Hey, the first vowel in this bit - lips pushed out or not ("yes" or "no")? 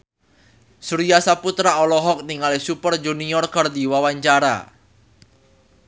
yes